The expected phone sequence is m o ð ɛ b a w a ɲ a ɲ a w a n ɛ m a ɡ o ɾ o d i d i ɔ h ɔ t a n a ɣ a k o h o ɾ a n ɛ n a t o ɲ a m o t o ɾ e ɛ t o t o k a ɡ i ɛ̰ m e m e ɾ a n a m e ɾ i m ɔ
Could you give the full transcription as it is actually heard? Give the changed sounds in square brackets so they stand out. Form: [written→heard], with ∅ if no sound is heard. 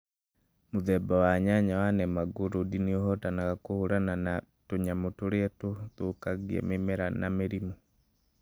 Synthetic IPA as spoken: m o ð ɛ b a w a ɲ a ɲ a w a n ɛ m a ɡ o ɾ o d i [d→n] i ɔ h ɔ t a n a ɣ a k o h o ɾ a n [ɛ→a] n a t o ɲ a m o t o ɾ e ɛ t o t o k a ɡ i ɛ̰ m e m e ɾ a n a m e ɾ i m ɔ

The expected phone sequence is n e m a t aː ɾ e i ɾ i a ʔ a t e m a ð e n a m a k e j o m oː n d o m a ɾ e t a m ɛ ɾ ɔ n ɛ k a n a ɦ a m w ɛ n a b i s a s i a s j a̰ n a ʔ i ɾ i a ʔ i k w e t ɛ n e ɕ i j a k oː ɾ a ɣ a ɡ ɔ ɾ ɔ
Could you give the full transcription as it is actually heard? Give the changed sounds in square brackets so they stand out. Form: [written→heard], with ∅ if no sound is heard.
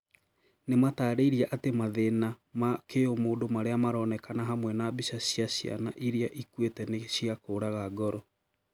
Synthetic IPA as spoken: n e m a t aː ɾ e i ɾ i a ʔ a t e m a ð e n a m a k e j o m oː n d o m a ɾ e [t→∅] a m [ɛ→a] ɾ ɔ n ɛ k a n a ɦ a m w ɛ n a b i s a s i a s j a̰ n a ʔ i ɾ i a ʔ i k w e t ɛ n e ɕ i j a k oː ɾ a ɣ a ɡ ɔ ɾ ɔ

